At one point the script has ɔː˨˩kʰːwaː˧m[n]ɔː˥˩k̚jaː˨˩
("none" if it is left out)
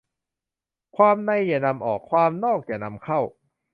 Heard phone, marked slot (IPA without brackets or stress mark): n